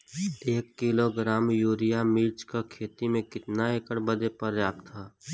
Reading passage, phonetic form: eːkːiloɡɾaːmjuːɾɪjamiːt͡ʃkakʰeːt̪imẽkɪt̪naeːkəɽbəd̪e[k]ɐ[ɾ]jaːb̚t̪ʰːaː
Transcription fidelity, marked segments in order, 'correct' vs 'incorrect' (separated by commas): incorrect, correct